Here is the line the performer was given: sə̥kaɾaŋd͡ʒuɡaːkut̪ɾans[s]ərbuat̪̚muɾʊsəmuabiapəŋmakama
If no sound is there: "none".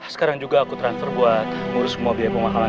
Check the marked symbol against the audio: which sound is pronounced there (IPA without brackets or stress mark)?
f